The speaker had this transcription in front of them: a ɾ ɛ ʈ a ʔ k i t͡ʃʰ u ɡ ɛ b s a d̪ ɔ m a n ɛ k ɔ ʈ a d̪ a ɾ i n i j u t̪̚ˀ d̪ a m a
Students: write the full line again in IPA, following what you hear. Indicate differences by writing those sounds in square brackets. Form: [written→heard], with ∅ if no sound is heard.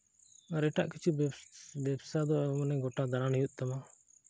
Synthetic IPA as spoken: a ɾ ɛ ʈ a ʔ k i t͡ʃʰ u [ɡ→b] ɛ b s a d̪ ɔ m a n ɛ [k→ɡ] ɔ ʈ a d̪ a ɾ [i→a] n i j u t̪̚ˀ [d̪→t̪] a m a